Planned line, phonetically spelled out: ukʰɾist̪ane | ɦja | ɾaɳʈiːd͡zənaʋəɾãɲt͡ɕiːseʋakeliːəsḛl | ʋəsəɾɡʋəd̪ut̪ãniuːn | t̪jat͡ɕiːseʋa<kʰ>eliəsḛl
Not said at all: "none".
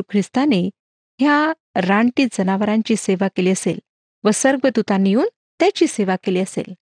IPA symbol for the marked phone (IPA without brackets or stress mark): k